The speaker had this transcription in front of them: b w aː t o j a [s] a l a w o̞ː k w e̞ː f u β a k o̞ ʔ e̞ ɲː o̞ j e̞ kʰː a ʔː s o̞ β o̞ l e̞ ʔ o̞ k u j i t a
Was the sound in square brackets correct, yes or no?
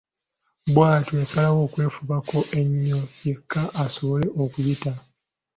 yes